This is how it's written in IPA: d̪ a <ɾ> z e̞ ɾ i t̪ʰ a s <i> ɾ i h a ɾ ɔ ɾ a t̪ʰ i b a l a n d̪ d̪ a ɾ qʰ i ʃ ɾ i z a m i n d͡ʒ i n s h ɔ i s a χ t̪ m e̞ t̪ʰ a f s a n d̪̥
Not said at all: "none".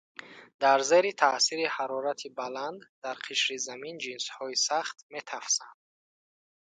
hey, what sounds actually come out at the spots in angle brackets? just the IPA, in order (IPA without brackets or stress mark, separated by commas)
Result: ɾ, i